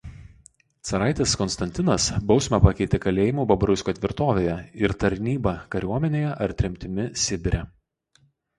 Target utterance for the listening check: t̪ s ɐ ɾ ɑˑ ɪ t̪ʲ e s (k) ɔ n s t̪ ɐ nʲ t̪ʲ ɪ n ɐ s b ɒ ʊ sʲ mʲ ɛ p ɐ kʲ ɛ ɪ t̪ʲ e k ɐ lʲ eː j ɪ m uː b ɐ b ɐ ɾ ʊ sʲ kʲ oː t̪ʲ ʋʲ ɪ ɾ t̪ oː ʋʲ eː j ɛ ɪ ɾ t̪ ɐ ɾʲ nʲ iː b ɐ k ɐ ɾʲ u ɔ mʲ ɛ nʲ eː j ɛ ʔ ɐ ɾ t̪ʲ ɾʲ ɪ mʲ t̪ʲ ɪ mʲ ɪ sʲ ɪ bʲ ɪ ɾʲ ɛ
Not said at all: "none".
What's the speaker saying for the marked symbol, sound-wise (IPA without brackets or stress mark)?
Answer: k